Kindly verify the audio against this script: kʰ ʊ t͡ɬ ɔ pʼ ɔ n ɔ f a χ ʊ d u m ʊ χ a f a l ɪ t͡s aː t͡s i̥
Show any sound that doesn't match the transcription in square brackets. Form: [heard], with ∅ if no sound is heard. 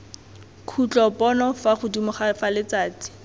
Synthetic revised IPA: kʰ [u] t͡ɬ ɔ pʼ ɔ n ɔ f a χ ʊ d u m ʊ χ a f a l ɪ t͡s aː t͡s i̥